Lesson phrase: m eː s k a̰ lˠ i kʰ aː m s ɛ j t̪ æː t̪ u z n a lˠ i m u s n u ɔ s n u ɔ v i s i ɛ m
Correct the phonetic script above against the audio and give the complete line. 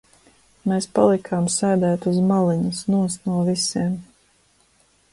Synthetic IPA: m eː s p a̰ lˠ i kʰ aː m s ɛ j d̪ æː t̪ u z m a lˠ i ɲ u s n u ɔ s n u ɔ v i s i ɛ m